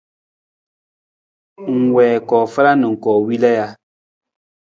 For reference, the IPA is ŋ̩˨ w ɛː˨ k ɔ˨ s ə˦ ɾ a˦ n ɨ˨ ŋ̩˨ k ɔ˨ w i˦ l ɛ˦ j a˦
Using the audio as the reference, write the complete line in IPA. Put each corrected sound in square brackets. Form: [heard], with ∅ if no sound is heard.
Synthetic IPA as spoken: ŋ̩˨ w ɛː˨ k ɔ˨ [f] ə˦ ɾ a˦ n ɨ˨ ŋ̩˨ k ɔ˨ w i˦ l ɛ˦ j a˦